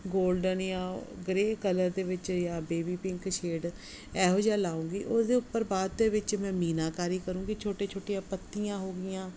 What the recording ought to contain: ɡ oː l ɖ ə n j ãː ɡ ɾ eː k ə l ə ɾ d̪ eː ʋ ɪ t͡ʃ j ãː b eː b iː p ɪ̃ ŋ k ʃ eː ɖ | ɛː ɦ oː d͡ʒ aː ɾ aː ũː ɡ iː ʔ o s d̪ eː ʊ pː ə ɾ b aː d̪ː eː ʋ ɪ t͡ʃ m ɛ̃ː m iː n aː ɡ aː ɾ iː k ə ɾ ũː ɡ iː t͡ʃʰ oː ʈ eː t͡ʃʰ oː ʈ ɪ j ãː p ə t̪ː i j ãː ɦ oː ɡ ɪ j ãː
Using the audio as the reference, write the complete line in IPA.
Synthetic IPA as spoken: ɡ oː l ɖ ə n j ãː ɡ ɾ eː k ə l ə ɾ d̪ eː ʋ ɪ t͡ʃ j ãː b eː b iː p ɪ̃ ŋ k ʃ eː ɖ | ɛː ɦ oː d͡ʒ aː l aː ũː ɡ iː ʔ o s d̪ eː ʊ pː ə ɾ b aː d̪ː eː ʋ ɪ t͡ʃ m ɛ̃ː m iː n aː k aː ɾ iː k ə ɾ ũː ɡ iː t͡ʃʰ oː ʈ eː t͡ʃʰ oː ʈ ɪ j ãː p ə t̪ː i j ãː ɦ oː ɡ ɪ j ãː

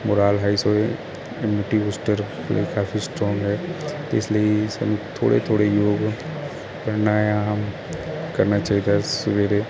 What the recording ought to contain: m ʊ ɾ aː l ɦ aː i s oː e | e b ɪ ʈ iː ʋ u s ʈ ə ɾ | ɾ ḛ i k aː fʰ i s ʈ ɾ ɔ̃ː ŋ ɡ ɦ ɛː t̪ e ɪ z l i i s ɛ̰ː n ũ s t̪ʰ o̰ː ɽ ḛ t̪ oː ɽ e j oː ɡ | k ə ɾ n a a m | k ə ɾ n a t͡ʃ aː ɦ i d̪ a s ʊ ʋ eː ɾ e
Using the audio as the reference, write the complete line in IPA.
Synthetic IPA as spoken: m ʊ ɾ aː l ɦ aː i s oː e | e m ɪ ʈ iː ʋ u s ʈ ə ɾ | l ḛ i k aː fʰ i s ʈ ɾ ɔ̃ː ŋ ɡ ɦ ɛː t̪ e ɪ s l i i s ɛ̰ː n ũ t̪ʰ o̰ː ɽ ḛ t̪ʰ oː ɽ e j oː ɡ | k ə ɾ n a a m | k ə ɾ n a t͡ʃ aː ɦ i d̪ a s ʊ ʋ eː ɾ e

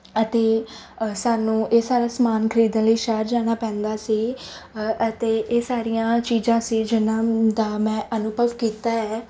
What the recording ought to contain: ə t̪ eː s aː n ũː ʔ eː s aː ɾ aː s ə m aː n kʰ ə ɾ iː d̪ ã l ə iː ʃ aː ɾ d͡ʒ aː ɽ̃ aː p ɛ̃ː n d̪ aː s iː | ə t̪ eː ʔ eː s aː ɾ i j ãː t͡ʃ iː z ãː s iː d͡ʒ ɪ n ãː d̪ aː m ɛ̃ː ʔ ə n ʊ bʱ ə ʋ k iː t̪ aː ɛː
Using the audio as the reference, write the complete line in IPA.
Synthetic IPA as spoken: ə t̪ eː s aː n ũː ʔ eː s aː ɾ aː s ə m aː n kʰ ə ɾ iː d̪ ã l ə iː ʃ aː ɾ d͡ʒ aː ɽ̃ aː p ɛ̃ː n d̪ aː s iː | ə t̪ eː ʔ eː s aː ɾ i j ãː t͡ʃ iː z ãː s iː d͡ʒ ɪ n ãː d̪ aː m ɛ̃ː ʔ ə n ʊ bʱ ə ʋ k iː t̪ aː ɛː

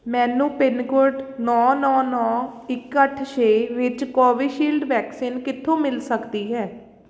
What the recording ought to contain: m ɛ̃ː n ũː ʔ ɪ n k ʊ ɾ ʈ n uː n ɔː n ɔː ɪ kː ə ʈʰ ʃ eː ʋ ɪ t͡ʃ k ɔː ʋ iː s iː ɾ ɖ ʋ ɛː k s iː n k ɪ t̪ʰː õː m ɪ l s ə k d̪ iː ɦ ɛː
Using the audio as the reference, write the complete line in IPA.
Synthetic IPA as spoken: m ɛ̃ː n ũː p ɪ n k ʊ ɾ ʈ n ɔː n ɔː n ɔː ɪ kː ə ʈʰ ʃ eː ʋ ɪ t͡ʃ k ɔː ʋ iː ʃ iː l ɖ ʋ ɛː k s iː n k ɪ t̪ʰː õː m ɪ l s ə k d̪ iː ɦ ɛː

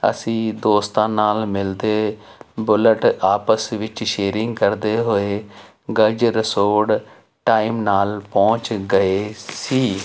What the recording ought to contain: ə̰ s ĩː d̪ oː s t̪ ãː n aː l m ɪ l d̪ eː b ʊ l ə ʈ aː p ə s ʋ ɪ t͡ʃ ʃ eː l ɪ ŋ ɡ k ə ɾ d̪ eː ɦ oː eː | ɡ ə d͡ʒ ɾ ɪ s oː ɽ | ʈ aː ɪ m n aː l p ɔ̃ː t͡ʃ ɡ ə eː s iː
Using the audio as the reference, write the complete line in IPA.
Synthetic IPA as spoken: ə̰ s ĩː d̪ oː s t̪ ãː n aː l m ɪ l d̪ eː b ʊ l ə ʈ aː p ə s ʋ ɪ t͡ʃ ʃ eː ɾ ɪ ŋ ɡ k ə ɾ d̪ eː ɦ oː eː | ɡ ə d͡ʒ ɾ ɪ s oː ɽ | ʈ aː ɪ m n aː l p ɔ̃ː t͡ʃ ɡ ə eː s iː

